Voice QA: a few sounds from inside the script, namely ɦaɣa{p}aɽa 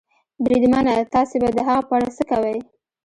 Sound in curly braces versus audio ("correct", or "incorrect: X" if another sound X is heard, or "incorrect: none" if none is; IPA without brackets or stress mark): correct